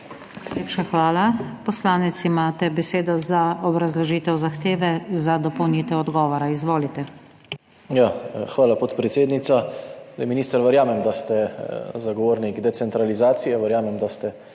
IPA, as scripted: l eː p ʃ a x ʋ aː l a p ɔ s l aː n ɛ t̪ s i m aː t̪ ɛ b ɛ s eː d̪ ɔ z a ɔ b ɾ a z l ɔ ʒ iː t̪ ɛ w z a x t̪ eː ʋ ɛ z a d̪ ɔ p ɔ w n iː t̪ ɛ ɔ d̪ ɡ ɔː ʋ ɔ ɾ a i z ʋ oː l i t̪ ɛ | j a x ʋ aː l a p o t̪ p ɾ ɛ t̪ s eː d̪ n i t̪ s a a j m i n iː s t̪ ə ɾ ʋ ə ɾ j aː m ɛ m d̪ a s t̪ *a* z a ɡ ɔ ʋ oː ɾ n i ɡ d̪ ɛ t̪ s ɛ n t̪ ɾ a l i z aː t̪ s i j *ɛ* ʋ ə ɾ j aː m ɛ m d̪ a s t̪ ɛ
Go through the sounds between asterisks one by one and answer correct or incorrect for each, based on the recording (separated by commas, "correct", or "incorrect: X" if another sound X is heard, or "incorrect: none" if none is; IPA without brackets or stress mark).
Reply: incorrect: ɛ, correct